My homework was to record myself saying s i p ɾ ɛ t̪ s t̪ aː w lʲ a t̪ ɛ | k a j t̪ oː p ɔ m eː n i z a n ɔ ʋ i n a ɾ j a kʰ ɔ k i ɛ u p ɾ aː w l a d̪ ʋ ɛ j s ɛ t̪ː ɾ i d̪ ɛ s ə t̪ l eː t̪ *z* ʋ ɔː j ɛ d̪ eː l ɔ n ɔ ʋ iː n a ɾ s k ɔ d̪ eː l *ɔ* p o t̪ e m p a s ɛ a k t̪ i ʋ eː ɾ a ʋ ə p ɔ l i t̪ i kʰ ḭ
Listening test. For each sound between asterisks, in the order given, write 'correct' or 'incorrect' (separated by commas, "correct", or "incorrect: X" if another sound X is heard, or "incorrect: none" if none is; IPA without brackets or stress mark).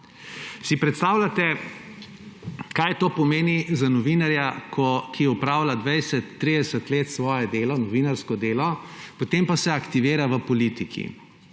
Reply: incorrect: s, correct